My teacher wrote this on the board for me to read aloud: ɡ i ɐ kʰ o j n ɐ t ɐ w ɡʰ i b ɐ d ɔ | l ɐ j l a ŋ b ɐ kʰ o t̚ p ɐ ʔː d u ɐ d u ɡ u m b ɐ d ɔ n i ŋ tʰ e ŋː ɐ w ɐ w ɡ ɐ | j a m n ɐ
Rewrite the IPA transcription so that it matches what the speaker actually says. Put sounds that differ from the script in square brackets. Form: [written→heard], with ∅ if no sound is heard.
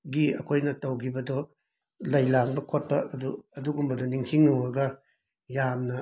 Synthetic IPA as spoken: ɡ i ɐ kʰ o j n ɐ t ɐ w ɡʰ i b ɐ d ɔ | l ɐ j l a ŋ b ɐ kʰ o t̚ p ɐ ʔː d u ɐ d u ɡ u m b ɐ d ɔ n i ŋ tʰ [e→i] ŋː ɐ w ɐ [w→∅] ɡ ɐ | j a m n ɐ

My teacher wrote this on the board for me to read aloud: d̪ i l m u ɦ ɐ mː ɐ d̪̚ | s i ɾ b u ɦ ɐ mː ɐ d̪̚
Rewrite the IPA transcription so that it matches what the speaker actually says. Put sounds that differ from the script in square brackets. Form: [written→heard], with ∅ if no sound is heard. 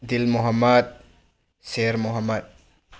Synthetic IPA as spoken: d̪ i l m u ɦ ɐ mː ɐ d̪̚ | s [i→e] ɾ [b→m] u ɦ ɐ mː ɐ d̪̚

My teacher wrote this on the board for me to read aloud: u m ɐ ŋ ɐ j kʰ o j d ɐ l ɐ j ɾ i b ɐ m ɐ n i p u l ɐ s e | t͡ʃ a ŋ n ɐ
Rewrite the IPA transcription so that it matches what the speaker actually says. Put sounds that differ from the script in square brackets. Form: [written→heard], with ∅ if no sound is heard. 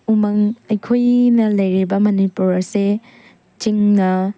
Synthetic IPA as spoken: u m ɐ ŋ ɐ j kʰ o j [d→n] ɐ l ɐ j ɾ i b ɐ m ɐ n i p u [l→ɾ] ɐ s e | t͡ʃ [a→i] ŋ n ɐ

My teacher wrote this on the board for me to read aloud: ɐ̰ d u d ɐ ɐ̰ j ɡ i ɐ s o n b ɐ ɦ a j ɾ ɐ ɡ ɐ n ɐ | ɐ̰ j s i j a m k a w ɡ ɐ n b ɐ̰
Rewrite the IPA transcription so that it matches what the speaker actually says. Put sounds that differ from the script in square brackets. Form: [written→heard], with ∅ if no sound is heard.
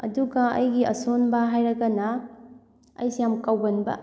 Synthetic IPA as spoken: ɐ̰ d u [d→ɡ] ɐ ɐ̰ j ɡ i ɐ s o n b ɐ ɦ a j ɾ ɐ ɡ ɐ n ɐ | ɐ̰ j s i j a m k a w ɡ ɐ n b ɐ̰

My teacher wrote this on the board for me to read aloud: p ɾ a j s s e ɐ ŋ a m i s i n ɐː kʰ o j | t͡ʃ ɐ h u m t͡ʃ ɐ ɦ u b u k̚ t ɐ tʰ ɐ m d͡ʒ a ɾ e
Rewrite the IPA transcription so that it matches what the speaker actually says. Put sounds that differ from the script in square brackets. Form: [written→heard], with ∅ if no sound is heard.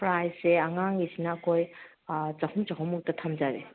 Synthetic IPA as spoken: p ɾ a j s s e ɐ ŋ a [m→ŋ] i s i n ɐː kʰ o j | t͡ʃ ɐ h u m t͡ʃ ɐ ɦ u [b→m] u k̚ t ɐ tʰ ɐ m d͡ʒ a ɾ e

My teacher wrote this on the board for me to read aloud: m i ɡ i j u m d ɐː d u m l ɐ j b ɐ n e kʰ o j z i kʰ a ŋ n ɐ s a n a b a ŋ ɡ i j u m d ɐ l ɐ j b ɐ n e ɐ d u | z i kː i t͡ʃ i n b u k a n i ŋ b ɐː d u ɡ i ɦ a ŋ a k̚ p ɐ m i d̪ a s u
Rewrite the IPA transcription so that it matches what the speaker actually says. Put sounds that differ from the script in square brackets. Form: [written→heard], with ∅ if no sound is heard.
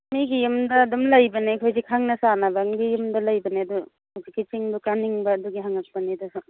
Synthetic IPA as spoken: m i ɡ i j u m d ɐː d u m l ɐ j b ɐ n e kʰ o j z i kʰ a ŋ n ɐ s a n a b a ŋ ɡ i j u m d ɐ l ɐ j b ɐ n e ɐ d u | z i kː i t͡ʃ i [n→ŋ] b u k a n i ŋ b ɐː d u ɡ i ɦ a ŋ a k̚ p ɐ [m→n] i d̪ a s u

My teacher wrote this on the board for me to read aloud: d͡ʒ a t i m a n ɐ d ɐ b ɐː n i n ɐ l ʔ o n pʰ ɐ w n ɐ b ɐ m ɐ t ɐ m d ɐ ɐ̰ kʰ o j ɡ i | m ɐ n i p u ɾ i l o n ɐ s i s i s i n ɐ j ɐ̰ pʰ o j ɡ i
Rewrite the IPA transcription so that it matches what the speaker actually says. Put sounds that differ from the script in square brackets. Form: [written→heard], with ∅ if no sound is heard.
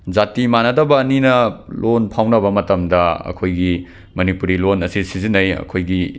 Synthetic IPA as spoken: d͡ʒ a t i m a n ɐ d ɐ b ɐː n i n ɐ l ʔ o n pʰ [ɐ→a] w n ɐ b ɐ m ɐ t ɐ m d ɐ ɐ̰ kʰ o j ɡ i | m ɐ n i p u ɾ i l o n ɐ s i s i [s→z] i n ɐ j ɐ̰ [pʰ→kʰ] o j ɡ i

